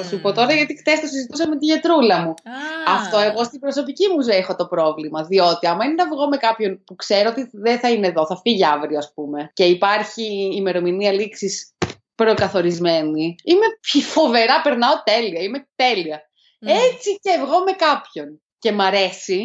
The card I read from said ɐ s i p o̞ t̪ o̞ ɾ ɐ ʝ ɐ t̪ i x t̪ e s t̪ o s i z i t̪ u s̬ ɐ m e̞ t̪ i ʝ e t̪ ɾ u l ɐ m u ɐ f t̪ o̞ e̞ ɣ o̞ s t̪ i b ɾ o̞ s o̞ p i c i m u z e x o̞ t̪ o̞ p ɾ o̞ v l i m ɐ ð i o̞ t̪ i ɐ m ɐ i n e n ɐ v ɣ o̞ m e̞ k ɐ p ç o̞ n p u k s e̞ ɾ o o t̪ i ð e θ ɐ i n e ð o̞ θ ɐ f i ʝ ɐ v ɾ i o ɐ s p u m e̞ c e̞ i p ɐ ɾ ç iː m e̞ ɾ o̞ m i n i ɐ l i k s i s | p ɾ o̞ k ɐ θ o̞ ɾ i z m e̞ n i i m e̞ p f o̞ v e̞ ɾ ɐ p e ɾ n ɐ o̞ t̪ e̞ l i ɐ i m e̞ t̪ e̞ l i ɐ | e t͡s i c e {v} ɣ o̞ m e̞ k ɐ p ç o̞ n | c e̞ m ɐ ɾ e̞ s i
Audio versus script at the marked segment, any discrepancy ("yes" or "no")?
no